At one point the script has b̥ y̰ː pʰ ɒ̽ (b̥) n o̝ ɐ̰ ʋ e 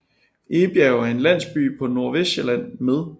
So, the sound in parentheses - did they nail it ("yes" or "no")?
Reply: no